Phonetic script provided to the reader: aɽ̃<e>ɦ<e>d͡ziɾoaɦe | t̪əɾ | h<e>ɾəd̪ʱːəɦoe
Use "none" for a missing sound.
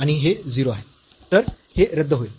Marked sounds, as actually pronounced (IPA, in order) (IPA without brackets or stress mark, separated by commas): i, e, e